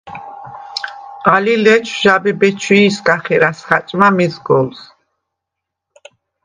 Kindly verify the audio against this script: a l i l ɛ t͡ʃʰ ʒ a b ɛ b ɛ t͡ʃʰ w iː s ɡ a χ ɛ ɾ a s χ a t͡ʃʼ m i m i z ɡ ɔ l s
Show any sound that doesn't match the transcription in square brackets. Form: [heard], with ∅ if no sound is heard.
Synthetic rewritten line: a l i l ɛ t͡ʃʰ ʒ a b ɛ b ɛ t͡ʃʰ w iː s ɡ a χ ɛ ɾ a s χ a t͡ʃʼ m [a] m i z ɡ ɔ l s